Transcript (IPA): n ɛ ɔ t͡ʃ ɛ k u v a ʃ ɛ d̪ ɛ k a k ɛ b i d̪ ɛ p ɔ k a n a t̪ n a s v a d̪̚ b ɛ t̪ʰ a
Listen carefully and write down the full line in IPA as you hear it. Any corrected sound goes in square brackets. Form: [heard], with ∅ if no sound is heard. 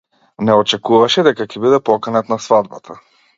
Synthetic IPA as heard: n ɛ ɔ t͡ʃ ɛ k u v a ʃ ɛ d̪ ɛ k a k ɛ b i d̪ ɛ p ɔ k a n a t̪ n a s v a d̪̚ b [a] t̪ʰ a